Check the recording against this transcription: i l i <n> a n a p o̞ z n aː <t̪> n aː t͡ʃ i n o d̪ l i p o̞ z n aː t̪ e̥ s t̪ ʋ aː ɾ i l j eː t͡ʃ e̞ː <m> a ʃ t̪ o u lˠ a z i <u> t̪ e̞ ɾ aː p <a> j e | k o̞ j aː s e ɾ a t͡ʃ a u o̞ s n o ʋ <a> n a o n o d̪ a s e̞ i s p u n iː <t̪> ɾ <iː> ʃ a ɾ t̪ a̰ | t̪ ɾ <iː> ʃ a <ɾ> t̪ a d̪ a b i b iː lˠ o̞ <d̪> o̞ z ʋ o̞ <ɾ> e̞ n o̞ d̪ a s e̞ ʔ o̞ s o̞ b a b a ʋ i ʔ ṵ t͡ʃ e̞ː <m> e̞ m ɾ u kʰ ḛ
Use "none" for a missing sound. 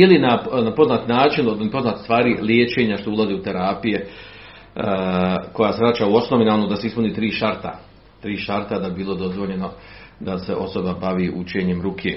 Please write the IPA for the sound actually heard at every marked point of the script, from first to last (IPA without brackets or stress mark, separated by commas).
n, t̪, ɲ, u, i, i, t̪, iː, iː, ɾ, d̪, ʎ, ɲ